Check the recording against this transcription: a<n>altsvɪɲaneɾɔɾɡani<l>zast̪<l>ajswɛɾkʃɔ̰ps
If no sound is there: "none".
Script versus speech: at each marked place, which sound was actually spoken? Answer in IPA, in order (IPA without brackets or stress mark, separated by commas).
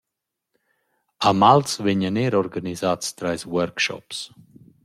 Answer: m, none, ɾ